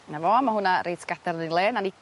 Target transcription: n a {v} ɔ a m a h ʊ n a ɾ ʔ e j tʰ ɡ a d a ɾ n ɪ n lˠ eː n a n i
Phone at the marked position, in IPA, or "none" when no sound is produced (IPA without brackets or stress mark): v